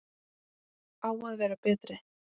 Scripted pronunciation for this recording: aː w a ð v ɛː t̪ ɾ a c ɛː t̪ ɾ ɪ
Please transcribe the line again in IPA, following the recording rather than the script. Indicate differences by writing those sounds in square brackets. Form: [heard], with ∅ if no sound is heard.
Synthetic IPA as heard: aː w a ð v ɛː [∅] ɾ a [p] ɛː t̪ ɾ ɪ